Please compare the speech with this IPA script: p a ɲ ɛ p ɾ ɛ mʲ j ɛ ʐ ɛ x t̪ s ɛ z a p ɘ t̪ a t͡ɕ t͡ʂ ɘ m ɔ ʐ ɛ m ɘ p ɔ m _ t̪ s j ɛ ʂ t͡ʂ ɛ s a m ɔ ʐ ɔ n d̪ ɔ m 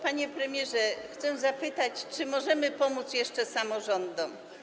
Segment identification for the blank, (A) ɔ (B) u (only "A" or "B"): B